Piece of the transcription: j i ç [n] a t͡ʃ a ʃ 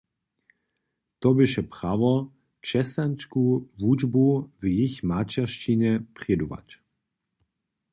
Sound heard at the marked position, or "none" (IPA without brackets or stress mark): m